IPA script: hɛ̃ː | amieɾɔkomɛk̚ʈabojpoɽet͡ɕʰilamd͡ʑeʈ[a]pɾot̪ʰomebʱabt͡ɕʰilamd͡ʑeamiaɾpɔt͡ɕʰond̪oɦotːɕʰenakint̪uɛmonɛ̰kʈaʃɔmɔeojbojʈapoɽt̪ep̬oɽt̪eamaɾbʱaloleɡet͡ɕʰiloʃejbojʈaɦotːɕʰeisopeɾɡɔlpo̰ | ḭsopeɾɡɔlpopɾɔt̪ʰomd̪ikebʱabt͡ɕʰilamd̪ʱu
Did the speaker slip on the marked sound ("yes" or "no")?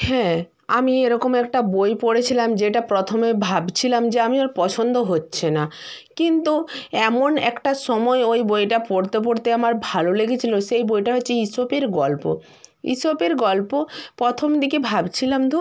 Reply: no